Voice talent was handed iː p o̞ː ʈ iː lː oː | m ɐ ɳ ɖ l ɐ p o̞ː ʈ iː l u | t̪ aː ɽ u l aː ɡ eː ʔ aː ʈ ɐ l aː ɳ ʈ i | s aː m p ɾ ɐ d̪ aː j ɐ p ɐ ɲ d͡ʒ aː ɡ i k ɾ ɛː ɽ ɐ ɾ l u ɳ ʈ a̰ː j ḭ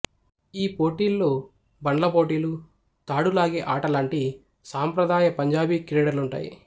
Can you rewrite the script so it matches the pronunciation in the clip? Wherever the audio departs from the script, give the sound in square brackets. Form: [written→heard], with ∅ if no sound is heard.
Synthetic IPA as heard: iː p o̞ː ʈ iː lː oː | [m→b] ɐ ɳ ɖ l ɐ p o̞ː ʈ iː l u | t̪ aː ɽ u l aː ɡ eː ʔ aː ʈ ɐ l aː ɳ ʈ i | s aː m p ɾ ɐ d̪ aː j ɐ p ɐ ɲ d͡ʒ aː [ɡ→b] i k ɾ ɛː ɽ ɐ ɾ l u ɳ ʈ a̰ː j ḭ